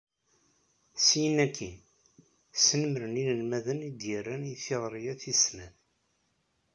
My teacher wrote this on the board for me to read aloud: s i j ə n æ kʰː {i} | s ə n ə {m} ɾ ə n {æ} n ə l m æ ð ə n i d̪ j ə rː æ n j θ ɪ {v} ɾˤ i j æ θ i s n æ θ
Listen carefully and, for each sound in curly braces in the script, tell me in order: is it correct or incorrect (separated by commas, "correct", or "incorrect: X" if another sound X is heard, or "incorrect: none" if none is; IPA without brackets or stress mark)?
correct, correct, incorrect: i, incorrect: ʁ